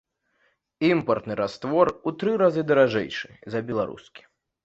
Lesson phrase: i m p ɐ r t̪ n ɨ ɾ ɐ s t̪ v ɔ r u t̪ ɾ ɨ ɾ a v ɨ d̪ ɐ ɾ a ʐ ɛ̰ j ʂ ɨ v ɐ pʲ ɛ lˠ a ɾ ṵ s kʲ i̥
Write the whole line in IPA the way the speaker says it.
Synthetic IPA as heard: i m p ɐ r t̪ n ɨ ɾ a s t̪ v ɔ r u t̪ ɾ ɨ ɾ a z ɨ d̪ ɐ ɾ a ʐ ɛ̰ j ʂ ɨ z ɐ bʲ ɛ lˠ a ɾ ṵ s kʲ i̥